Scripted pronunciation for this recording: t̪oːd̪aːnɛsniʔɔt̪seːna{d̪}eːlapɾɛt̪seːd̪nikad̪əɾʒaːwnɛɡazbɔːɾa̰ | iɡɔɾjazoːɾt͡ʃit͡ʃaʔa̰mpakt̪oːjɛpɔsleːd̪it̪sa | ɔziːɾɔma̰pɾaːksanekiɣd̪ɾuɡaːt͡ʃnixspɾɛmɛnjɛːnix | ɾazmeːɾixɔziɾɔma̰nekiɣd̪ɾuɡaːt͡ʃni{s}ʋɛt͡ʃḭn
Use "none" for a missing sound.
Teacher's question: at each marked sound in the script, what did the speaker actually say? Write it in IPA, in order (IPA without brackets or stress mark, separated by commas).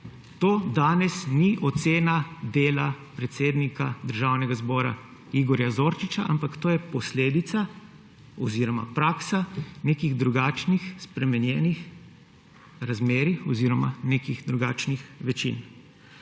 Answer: d̪, x